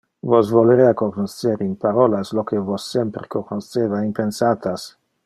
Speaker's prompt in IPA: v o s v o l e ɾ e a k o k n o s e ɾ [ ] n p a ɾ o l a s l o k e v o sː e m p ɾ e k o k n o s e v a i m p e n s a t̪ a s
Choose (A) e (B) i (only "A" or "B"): B